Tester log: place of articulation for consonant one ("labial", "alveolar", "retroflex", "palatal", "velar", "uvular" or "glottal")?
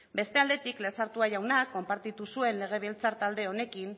labial